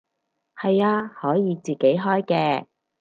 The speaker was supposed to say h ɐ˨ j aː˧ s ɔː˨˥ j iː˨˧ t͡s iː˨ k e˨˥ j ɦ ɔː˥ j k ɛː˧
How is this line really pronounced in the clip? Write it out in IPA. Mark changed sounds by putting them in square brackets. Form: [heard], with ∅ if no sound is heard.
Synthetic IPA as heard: h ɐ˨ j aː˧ [h] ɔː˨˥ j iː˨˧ t͡s iː˨ k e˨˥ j ɦ ɔː˥ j k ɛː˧

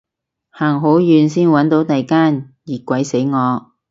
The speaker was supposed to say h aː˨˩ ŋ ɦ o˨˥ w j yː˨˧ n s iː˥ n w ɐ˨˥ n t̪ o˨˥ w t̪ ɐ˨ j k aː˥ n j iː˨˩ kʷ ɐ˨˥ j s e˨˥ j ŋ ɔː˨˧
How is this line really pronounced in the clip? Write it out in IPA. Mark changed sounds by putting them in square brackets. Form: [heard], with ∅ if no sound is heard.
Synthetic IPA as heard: h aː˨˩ ŋ ɦ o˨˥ w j yː˨˧ n s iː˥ n w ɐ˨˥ n t̪ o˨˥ w t̪ ɐ˨ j k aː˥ n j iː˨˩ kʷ ɐ˨˥ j s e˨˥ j ŋ ɔː˨˧

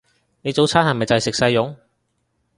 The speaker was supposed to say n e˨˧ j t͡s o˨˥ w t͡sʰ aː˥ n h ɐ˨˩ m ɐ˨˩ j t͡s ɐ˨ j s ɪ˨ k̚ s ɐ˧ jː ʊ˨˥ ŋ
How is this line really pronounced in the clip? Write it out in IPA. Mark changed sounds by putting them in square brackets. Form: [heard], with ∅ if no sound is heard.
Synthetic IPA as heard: n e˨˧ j t͡s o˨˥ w t͡sʰ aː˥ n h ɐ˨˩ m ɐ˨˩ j t͡s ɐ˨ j s ɪ˨ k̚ s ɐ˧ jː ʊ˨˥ ŋ

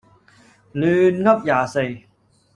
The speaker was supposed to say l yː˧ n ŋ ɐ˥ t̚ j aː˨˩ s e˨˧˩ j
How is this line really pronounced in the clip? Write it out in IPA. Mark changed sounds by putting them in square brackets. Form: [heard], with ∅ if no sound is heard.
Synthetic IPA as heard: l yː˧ n ŋ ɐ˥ [p̚] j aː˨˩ s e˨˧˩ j

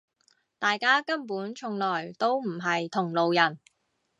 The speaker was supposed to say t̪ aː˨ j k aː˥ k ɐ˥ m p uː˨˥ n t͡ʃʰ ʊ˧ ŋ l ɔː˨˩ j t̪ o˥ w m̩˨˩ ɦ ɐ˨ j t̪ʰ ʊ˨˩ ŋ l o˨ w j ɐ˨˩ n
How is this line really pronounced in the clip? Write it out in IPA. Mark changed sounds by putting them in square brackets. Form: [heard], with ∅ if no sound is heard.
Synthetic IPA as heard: t̪ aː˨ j k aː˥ k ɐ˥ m p uː˨˥ n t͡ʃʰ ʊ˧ ŋ l ɔː˨˩ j t̪ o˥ w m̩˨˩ ɦ ɐ˨ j t̪ʰ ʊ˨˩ ŋ l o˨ w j ɐ˨˩ n

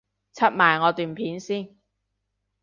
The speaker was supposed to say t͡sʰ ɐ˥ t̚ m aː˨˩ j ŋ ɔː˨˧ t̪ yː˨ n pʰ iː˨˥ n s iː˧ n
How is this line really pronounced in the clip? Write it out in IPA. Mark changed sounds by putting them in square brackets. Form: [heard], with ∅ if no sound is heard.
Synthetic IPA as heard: t͡sʰ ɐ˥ t̚ m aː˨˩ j ŋ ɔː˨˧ t̪ yː˨ n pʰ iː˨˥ n s [iː˥˩] n

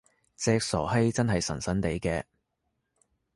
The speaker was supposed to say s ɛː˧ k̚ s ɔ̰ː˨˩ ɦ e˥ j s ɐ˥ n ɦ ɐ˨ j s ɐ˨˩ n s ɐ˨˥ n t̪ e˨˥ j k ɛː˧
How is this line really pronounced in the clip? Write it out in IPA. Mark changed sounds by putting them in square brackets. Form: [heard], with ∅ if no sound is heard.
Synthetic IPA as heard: [t͡s] ɛː˧ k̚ s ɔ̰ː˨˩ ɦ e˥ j [t͡s] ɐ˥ n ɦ ɐ˨ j s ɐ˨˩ n s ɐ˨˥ n t̪ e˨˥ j k ɛː˧

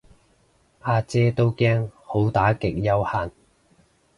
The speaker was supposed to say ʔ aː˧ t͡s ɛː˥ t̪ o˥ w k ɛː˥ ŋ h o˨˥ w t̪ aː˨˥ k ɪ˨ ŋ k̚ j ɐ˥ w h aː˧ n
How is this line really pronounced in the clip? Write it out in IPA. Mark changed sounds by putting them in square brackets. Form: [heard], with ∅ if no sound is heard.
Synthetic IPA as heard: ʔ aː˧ t͡s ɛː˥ t̪ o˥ w k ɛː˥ ŋ h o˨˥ w t̪ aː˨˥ k ɪ˨ [∅] k̚ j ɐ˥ w h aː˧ n

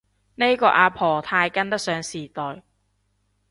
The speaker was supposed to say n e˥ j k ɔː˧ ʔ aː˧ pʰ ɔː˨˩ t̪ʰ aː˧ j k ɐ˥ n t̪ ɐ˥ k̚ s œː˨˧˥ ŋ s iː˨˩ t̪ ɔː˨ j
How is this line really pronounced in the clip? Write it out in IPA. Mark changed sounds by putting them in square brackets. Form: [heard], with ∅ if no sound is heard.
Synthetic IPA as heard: n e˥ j k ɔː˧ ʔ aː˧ pʰ ɔː˨˩ t̪ʰ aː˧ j k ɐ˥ n t̪ ɐ˥ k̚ s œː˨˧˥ ŋ s iː˨˩ t̪ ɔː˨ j

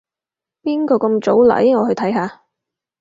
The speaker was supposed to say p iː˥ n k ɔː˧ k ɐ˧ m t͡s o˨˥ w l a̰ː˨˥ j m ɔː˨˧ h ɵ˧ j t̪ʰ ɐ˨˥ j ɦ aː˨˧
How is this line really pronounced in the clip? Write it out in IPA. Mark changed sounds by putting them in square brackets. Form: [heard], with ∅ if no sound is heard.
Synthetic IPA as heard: p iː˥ n k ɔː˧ k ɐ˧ m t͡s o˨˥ w l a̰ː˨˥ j [ŋ] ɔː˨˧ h ɵ˧ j t̪ʰ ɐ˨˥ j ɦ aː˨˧

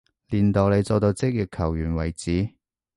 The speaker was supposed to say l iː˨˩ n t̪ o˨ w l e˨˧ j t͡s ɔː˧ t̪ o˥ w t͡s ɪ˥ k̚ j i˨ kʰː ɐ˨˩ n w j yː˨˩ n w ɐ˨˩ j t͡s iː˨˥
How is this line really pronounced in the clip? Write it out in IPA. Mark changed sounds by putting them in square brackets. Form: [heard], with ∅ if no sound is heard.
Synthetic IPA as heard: l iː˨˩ n t̪ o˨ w l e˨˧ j t͡s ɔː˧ t̪ [o˧] w t͡s ɪ˥ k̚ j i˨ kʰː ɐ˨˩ [∅] w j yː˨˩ n w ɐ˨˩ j t͡s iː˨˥

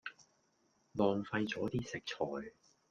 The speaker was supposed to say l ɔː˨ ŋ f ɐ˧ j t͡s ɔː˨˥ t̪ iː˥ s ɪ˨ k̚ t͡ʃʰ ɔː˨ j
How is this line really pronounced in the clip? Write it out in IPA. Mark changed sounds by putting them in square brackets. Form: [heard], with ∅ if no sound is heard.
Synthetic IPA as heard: l ɔː˨ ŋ f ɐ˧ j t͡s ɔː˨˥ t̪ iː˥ s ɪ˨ k̚ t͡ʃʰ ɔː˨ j

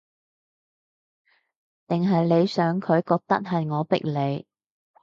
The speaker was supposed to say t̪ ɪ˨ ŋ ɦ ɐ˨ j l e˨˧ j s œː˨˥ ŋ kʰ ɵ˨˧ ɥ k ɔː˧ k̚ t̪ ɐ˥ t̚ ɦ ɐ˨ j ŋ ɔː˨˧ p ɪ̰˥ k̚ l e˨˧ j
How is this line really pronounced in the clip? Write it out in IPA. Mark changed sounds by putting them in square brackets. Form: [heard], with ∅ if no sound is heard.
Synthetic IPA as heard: t̪ ɪ˨ ŋ ɦ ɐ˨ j l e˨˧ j s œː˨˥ ŋ kʰ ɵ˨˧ ɥ k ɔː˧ k̚ t̪ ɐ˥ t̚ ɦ ɐ˨ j ŋ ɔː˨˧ p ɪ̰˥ k̚ l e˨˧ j

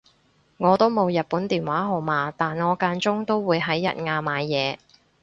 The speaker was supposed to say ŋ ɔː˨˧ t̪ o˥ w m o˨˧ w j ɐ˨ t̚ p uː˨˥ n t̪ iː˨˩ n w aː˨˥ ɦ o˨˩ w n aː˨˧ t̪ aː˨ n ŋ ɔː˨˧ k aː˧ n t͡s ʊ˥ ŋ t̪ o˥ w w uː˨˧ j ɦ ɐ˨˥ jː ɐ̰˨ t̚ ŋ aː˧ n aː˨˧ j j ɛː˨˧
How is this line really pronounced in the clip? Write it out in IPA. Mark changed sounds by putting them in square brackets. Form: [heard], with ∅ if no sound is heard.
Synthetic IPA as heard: ŋ ɔː˨˧ t̪ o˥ w m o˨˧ w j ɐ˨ t̚ p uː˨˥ n t̪ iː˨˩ n w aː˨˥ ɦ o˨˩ w [m] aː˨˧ t̪ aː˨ n ŋ ɔː˨˧ k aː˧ n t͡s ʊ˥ ŋ t̪ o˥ w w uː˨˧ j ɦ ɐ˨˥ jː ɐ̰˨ t̚ ŋ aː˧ [m] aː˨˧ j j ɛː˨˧

